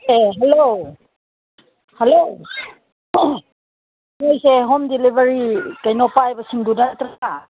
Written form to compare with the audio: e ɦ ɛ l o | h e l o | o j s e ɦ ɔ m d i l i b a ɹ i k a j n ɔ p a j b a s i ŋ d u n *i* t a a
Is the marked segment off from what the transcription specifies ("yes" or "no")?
yes